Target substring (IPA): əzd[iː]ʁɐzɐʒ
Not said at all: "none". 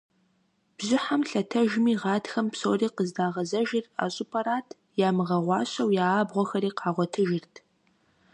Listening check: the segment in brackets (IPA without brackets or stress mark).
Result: aː